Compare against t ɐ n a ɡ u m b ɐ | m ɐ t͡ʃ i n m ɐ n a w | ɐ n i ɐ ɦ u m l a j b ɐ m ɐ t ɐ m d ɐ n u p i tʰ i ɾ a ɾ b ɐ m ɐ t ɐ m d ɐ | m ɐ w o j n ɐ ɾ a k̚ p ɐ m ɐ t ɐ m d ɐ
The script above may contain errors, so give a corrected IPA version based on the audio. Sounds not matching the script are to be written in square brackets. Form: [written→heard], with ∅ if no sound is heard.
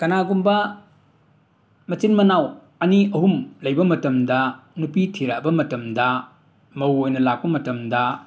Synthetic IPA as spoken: [t→k] ɐ n a ɡ u m b ɐ | m ɐ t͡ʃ i n m ɐ n a w | ɐ n i ɐ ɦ u m l [a→ɐ] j b ɐ m ɐ t ɐ m d ɐ n u p i tʰ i ɾ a [ɾ→∅] b ɐ m ɐ t ɐ m d ɐ | m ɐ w o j n ɐ [ɾ→l] a k̚ p ɐ m ɐ t ɐ m d ɐ